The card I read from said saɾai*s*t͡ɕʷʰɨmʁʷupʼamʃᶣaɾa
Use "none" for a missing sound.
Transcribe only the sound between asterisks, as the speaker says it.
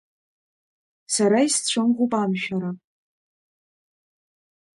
s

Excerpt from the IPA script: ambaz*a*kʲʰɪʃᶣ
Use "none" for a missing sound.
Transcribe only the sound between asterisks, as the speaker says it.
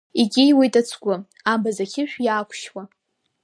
a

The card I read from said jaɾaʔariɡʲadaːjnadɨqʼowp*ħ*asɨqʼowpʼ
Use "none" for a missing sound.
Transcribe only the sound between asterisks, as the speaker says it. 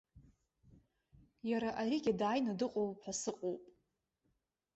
ħ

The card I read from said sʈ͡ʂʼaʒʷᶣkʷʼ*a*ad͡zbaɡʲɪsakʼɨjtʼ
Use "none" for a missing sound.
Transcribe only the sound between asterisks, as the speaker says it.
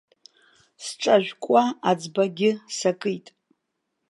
a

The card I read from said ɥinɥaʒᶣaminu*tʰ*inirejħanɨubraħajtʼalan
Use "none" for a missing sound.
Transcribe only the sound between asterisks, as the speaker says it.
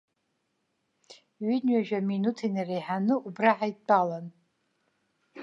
tʰ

